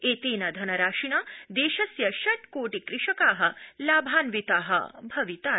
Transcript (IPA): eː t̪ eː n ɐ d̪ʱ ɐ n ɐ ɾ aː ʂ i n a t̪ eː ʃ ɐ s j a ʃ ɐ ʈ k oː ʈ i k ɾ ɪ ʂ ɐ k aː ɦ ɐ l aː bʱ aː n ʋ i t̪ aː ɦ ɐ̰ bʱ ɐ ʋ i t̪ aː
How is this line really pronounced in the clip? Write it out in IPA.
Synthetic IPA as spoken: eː t̪ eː n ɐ d̪ʱ ɐ n ɐ ɾ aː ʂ i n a d̪ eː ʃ ɐ s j ɐ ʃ ɐ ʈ k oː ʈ i k ɾ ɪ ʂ ɐ k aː ɦ ɐ l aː bʱ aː n ʋ i t̪ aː ɦ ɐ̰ bʱ ɐ ʋ i t̪ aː